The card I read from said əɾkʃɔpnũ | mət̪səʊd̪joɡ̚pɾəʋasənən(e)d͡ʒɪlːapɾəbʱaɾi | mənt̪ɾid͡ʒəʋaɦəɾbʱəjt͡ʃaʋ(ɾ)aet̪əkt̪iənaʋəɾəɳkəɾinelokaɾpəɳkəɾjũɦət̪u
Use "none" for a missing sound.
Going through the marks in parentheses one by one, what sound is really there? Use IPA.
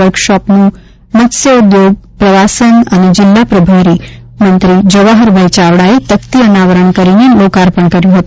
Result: e, ɽ

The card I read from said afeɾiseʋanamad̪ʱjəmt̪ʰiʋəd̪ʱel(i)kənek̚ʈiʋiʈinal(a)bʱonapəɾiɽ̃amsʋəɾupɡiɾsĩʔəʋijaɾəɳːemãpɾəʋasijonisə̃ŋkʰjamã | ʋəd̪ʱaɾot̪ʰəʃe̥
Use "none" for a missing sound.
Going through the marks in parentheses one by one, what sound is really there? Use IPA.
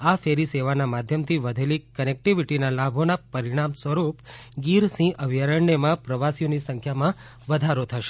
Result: i, a

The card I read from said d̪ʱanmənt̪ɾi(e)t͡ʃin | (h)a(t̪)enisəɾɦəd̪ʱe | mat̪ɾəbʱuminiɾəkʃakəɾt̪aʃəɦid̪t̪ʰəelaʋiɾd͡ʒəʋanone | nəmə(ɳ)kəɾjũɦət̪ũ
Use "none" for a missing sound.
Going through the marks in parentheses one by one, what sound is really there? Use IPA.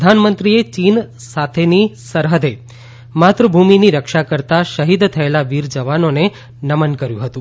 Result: e, s, t̪ʰ, n

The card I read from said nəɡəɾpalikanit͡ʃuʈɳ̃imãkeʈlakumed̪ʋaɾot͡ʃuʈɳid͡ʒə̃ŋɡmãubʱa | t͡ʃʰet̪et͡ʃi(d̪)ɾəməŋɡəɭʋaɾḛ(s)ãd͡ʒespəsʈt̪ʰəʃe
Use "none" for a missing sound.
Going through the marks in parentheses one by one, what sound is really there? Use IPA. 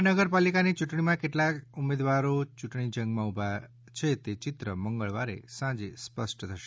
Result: t̪, s

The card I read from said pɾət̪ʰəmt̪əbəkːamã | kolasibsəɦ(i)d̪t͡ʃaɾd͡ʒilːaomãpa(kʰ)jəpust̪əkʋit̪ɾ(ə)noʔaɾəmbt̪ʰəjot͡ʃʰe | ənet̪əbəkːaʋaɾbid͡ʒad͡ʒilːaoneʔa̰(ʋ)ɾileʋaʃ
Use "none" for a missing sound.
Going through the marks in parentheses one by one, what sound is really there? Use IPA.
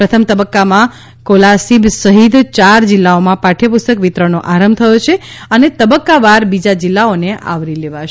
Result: i, ʈʰ, ə, ʋ

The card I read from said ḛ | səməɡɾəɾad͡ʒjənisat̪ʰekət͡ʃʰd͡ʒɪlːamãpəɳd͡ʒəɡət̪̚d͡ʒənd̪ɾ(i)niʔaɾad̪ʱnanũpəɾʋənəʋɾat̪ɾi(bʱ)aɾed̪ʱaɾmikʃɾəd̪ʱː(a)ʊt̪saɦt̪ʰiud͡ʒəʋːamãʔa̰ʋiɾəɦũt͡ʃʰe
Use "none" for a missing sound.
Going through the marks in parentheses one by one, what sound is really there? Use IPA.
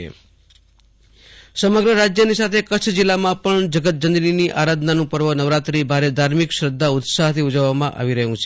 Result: i, bʱ, a

